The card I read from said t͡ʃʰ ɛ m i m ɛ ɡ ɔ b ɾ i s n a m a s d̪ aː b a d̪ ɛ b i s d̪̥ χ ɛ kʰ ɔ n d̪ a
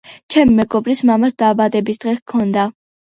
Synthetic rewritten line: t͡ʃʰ ɛ m i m ɛ ɡ ɔ b ɾ i s m a m a s d̪ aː b a d̪ ɛ b i s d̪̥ ʁ ɛ kʰ ɔ n d̪ a